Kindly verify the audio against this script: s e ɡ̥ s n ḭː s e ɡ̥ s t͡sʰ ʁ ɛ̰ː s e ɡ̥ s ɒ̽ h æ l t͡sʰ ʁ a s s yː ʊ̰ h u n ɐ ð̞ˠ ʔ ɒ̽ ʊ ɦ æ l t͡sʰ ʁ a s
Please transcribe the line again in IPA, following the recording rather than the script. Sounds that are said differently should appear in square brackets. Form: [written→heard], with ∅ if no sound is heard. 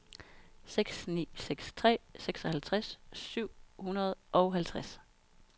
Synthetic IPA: s e ɡ̥ s n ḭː s e ɡ̥ s t͡sʰ ʁ ɛ̰ː s e ɡ̥ s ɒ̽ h æ l t͡sʰ ʁ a s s [yː→y] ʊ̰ h u n ɐ ð̞ˠ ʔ ɒ̽ ʊ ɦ æ l t͡sʰ ʁ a s